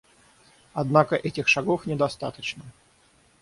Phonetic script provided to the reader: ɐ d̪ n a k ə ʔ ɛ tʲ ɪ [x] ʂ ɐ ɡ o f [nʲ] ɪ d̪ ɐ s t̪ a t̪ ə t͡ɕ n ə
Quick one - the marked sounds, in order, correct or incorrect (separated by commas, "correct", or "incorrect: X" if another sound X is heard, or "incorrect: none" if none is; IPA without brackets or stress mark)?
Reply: correct, correct